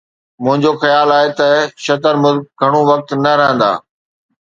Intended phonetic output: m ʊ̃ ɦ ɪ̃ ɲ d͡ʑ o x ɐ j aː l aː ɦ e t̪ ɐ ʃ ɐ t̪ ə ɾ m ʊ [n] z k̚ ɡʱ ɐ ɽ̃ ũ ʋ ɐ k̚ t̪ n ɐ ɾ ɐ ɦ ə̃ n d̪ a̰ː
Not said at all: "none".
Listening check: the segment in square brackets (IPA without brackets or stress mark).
none